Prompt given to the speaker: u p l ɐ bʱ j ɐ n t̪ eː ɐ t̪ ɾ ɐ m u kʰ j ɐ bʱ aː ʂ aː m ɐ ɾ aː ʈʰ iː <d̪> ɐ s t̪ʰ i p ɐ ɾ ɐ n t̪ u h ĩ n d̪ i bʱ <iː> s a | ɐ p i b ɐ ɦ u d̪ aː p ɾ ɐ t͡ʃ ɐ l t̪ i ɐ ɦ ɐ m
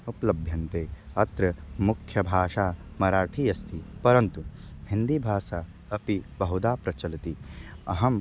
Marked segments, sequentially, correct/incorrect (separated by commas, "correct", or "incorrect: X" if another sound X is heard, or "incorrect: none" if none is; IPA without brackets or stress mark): incorrect: none, incorrect: aː